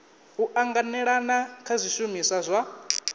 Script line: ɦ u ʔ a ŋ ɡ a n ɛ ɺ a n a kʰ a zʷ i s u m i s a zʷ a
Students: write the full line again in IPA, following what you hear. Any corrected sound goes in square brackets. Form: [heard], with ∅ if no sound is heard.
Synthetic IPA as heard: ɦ u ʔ a ŋ ɡ a n ɛ ɺ a n a kʰ a zʷ i [ʃ] u m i s a zʷ a